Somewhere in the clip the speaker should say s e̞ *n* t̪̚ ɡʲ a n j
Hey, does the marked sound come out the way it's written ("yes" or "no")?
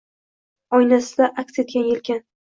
no